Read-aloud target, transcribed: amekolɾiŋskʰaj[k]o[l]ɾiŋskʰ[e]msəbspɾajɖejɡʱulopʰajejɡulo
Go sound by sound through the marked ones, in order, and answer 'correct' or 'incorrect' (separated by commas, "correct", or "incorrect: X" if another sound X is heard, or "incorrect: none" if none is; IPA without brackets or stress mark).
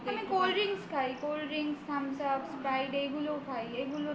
correct, correct, incorrect: a